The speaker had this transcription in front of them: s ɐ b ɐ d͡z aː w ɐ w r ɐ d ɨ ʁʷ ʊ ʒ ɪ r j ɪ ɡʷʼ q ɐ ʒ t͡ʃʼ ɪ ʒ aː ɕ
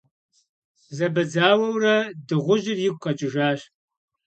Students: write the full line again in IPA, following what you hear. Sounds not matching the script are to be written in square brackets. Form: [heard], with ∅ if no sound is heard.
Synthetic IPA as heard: [z] ɐ b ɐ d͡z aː w ɐ w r ɐ d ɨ ʁʷ ʊ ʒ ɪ r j ɪ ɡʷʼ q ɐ [∅] t͡ʃʼ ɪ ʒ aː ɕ

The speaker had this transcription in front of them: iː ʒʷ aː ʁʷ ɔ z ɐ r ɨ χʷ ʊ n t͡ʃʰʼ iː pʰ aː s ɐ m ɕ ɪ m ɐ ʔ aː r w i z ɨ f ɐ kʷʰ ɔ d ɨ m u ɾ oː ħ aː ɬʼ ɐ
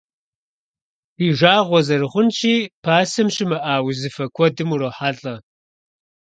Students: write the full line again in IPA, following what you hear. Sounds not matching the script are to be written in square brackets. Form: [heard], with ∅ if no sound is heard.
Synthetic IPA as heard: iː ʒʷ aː ʁʷ ɔ z ɐ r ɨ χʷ ʊ n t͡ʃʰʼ iː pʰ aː s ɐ m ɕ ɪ m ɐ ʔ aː [∅] w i z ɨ f ɐ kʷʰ ɔ d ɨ m u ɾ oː ħ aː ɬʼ ɐ

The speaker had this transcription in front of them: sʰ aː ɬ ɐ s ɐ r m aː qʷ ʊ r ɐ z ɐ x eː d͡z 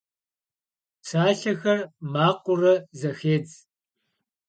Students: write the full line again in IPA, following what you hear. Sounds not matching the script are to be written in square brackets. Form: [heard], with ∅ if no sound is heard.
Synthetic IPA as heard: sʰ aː ɬ ɐ [x] ɐ r m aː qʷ ʊ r ɐ z ɐ x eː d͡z

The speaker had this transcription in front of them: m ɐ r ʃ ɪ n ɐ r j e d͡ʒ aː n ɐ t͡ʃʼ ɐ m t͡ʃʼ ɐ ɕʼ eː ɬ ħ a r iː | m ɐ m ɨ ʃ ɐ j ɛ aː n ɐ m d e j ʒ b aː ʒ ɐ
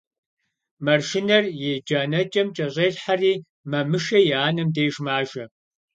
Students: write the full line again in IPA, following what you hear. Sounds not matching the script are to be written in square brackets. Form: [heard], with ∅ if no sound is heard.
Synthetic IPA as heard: m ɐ r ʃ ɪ n ɐ r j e d͡ʒ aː n ɐ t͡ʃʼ ɐ m t͡ʃʼ ɐ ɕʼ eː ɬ ħ a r iː | m ɐ m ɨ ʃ ɐ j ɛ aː n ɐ m d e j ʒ [m] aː ʒ ɐ

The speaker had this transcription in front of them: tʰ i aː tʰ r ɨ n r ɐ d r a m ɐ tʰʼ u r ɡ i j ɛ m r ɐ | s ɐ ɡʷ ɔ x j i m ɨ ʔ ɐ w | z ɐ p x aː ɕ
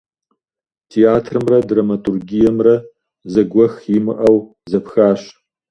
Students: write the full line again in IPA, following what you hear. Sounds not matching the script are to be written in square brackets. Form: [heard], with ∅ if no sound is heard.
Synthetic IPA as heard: tʰ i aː tʰ r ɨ [m] r ɐ d r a m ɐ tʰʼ u r ɡ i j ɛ m r ɐ | [z] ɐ ɡʷ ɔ x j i m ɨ ʔ ɐ w | z ɐ p x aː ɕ

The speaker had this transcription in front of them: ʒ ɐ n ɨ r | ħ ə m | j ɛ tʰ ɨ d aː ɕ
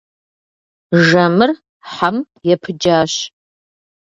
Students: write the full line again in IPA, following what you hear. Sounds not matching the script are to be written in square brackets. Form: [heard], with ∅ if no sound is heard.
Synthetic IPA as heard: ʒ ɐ [m] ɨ r | ħ [a] m | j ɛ [pʰ] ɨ [d͡ʒ] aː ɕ

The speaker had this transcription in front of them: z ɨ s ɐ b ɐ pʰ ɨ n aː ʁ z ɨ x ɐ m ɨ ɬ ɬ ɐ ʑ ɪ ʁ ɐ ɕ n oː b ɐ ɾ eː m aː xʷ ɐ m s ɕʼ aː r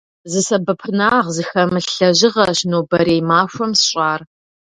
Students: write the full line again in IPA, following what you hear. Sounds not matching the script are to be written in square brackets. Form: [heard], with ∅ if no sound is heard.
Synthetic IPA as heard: z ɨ s ɐ b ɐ pʰ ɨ n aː ʁ z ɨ x ɐ m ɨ ɬ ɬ ɐ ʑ ɪ ʁ ɐ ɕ n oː b ɐ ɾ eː m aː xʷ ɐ m s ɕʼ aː r

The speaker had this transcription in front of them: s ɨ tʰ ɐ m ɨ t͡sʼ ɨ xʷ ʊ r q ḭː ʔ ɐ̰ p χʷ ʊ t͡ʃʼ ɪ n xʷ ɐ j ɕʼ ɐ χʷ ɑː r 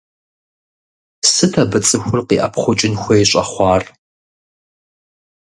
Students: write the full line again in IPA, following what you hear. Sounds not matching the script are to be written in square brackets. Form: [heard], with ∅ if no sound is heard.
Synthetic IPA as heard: s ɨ tʰ ɐ [b] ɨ t͡sʼ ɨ xʷ ʊ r q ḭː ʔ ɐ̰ p χʷ ʊ t͡ʃʼ ɪ n xʷ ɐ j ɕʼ ɐ χʷ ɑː r

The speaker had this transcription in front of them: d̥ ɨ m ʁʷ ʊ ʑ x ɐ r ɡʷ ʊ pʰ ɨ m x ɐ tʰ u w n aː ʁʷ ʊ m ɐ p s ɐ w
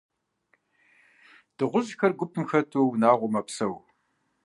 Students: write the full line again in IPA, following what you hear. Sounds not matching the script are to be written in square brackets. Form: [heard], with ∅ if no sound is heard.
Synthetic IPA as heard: d̥ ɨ [∅] ʁʷ ʊ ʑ x ɐ r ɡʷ ʊ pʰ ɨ m x ɐ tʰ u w n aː ʁʷ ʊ m ɐ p s ɐ w

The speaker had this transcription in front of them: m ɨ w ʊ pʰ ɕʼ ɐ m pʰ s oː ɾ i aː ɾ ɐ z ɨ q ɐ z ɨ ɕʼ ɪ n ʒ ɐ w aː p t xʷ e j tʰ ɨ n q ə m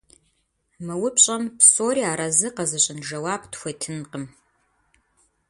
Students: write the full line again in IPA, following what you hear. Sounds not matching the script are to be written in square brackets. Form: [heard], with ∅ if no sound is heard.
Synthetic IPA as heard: m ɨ w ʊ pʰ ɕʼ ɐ m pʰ s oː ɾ i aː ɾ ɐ z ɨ q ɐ z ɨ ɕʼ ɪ n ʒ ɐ w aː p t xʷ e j tʰ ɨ n q ə m

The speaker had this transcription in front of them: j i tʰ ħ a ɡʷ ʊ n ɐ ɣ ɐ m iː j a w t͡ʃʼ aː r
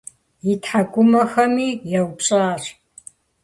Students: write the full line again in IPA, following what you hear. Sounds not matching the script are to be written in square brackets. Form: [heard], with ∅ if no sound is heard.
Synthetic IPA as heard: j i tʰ ħ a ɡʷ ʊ [m] ɐ [x] ɐ m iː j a w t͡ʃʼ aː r

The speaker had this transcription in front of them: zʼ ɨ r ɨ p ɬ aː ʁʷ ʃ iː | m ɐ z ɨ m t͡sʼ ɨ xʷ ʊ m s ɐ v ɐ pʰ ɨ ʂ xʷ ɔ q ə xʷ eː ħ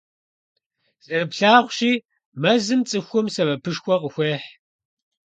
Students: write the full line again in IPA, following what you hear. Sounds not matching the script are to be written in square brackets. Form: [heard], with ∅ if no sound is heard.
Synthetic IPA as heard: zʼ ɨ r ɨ p ɬ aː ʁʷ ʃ iː | m ɐ z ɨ m t͡sʼ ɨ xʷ ʊ m s ɐ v ɐ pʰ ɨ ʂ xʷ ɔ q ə xʷ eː ħ

